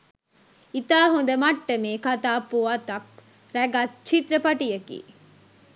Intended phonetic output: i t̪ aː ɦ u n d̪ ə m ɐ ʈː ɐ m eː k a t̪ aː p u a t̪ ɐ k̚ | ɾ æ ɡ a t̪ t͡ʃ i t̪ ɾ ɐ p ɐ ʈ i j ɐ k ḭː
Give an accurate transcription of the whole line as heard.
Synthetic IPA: i t̪ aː ɦ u n d̪ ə m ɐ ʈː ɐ m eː k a t̪ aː p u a t̪ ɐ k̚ | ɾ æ ɡ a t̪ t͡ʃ i t̪ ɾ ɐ p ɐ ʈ i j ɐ k ḭː